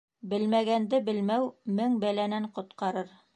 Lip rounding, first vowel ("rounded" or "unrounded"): unrounded